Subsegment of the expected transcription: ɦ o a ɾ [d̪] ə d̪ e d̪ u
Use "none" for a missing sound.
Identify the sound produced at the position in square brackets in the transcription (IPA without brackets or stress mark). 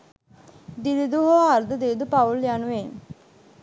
d̪